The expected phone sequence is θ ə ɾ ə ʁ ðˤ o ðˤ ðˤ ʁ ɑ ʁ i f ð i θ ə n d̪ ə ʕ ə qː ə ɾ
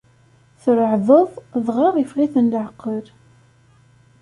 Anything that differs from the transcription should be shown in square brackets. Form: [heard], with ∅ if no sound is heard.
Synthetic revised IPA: θ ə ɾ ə [ʕ] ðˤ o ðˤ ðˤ ʁ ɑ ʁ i f [ʁ] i θ ə n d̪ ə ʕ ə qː ə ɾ